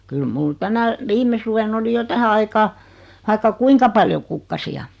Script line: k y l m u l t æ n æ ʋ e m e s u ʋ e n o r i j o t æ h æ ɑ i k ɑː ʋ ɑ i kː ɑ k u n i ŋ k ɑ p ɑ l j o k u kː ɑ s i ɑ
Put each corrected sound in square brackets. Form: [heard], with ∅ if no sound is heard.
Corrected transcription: k y l m u l t æ n æ ʋ [i] m e s u ʋ e n o [l] i j o t æ h æ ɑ i k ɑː ʋ ɑ i kː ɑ k u [∅] i ŋ k ɑ p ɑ l j o k u kː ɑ s i ɑ